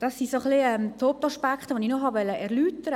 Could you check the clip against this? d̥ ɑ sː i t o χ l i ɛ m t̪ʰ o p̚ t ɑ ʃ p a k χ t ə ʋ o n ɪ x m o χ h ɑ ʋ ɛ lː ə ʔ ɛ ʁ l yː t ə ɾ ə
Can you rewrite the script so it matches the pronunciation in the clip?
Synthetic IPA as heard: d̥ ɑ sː i s o χ l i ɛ m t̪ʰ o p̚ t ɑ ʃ p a k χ t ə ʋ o n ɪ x n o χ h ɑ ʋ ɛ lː ə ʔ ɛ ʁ l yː t ə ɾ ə